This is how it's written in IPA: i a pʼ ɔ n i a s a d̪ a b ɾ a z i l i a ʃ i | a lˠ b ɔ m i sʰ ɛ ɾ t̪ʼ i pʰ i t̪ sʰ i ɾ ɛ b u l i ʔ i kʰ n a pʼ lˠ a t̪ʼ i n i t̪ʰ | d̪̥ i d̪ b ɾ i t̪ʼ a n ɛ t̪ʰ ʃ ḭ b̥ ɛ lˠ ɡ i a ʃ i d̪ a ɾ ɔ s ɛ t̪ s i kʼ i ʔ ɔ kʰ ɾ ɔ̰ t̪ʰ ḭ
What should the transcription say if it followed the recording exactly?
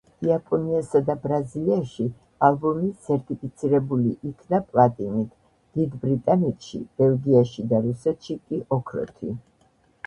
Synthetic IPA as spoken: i a pʼ ɔ n i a s a d̪ a b ɾ a z i l i a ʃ i | a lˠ b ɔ m i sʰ ɛ ɾ t̪ʼ i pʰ i t̪ sʰ i ɾ ɛ b u l i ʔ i kʰ n a pʼ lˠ a t̪ʼ i n i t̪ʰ | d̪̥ i d̪ b ɾ i t̪ʼ a n ɛ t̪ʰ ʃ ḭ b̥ ɛ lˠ ɡ i a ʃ i d̪ a ɾ u s ɛ t̪ ʃ i kʼ i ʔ ɔ kʰ ɾ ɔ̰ t̪ʰ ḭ